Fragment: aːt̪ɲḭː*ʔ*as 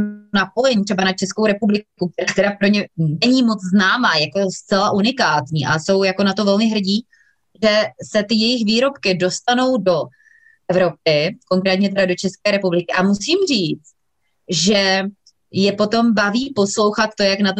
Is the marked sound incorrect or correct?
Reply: correct